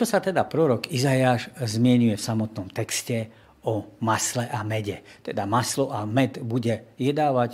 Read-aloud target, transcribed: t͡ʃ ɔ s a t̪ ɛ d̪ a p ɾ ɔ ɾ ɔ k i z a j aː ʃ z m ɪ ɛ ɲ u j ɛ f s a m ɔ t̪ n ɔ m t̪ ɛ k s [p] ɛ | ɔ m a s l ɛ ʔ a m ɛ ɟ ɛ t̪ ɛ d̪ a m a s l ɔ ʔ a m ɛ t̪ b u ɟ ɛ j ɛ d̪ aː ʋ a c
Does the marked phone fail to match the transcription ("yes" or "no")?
yes